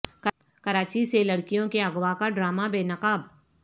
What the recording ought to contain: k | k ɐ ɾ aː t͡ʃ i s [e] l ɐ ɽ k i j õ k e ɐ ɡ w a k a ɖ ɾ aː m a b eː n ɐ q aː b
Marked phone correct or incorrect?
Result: correct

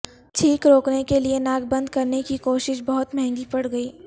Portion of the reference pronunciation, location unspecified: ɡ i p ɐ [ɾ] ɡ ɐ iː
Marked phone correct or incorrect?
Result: incorrect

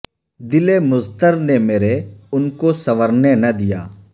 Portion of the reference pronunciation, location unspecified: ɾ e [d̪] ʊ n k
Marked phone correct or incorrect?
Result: incorrect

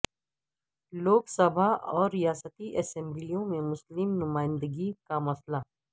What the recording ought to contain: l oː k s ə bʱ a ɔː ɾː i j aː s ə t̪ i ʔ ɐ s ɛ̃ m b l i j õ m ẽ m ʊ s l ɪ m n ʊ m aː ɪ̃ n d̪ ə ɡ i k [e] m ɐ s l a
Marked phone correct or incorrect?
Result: incorrect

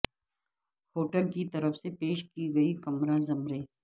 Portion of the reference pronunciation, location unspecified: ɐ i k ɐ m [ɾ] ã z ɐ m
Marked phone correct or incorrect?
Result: correct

